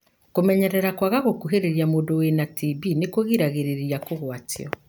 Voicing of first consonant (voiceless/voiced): voiceless